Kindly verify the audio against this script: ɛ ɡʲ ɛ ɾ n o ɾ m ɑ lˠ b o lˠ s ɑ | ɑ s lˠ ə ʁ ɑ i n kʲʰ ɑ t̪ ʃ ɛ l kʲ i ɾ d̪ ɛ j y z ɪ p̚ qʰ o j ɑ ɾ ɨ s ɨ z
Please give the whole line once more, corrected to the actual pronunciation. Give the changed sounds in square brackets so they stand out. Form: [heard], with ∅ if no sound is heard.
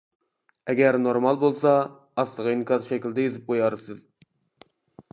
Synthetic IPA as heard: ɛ ɡʲ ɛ ɾ n o ɾ m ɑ lˠ b o lˠ s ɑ | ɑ s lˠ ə ʁ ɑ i n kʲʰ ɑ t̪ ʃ ɛ [∅] kʲ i [l] d̪ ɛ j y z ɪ p̚ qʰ o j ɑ ɾ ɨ s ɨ z